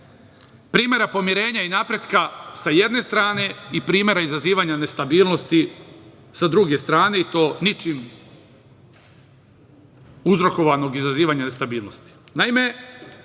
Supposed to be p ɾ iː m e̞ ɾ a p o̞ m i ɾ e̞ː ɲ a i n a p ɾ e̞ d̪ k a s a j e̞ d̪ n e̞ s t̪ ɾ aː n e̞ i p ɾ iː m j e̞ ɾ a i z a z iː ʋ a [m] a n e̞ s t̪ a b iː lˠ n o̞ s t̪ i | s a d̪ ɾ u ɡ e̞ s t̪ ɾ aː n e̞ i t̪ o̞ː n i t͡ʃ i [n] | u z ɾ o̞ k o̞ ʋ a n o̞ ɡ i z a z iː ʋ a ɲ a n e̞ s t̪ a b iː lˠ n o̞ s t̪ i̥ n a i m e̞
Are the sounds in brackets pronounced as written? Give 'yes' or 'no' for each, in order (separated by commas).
no, no